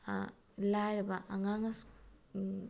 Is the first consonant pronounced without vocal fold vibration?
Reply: no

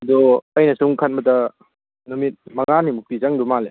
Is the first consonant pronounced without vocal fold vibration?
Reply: no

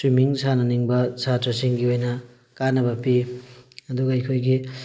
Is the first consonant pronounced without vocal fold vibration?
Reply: yes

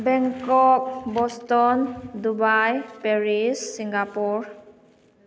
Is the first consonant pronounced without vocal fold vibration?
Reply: no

